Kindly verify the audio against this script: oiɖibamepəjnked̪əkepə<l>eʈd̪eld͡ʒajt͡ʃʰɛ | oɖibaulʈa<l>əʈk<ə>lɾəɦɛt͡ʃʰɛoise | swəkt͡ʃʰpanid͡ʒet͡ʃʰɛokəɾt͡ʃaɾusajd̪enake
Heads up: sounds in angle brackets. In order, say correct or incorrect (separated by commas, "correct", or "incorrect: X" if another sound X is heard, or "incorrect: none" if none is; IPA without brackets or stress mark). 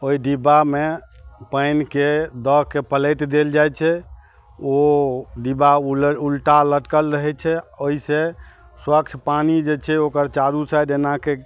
correct, correct, correct